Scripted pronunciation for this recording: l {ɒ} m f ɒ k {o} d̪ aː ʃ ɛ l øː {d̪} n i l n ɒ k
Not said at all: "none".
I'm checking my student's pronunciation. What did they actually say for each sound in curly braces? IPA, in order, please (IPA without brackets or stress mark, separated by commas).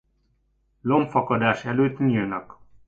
o, ɒ, t̪